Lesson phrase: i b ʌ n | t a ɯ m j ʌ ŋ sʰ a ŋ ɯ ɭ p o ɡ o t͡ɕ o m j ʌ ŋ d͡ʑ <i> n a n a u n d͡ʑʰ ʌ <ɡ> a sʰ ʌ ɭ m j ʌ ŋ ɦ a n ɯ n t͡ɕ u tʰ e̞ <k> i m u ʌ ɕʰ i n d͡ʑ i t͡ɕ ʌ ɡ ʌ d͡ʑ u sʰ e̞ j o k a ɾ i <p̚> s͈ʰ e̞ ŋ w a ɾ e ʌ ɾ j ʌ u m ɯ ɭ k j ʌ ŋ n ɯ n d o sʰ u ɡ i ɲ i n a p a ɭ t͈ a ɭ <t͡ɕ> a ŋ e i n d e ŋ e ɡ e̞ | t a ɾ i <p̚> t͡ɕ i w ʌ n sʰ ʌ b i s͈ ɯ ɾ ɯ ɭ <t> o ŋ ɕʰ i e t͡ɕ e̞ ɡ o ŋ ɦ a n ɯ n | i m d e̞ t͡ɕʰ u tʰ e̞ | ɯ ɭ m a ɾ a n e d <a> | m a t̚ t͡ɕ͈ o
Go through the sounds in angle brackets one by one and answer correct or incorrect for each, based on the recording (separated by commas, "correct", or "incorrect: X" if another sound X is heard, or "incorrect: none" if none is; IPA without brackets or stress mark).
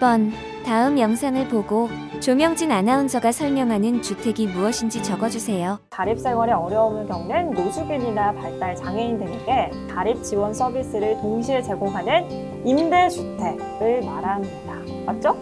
correct, correct, incorrect: ɡ, correct, correct, correct, correct, correct